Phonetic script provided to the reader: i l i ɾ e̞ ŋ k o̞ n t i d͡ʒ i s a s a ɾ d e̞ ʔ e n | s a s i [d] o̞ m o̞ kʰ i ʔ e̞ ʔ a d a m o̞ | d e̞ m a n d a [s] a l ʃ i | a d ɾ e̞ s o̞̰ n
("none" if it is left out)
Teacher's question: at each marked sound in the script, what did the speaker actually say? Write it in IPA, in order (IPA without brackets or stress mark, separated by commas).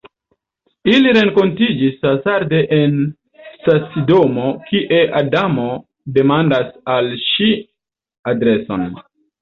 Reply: d, s